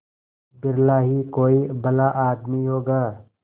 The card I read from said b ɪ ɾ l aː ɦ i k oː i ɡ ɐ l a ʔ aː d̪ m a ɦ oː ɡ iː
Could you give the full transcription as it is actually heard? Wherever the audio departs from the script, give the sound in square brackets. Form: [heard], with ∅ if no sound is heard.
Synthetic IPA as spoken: b ɪ ɾ l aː ɦ i k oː i [b] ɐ l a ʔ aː d̪ m [i] ɦ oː ɡ [aː]